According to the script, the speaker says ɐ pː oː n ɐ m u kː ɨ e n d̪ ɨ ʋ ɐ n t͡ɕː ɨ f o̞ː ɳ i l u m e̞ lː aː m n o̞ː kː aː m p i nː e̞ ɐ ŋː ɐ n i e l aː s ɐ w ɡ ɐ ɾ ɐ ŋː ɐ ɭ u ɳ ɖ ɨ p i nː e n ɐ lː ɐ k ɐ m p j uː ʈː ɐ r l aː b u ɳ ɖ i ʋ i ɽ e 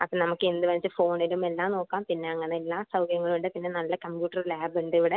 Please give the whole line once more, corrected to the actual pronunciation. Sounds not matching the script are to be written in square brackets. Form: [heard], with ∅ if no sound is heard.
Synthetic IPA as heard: ɐ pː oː n ɐ m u kː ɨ e n d̪ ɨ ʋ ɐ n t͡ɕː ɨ f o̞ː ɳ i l u m e̞ lː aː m n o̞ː kː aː m p i nː e̞ ɐ ŋː ɐ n [e] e [lː] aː s ɐ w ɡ ɐ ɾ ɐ ŋː ɐ ɭ u ɳ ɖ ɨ p i nː e n ɐ lː ɐ k ɐ m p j uː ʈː ɐ r l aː b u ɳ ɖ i ʋ i ɽ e